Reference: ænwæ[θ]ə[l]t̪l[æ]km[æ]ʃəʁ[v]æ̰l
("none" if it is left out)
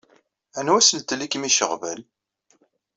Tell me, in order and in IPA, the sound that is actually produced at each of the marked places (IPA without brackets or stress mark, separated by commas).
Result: s, l, i, i, v